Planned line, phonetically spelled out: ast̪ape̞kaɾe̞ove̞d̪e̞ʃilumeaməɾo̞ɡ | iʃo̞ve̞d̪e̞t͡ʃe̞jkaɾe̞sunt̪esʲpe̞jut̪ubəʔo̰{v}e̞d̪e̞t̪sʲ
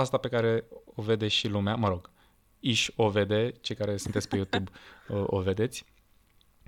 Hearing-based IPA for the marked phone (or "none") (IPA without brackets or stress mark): v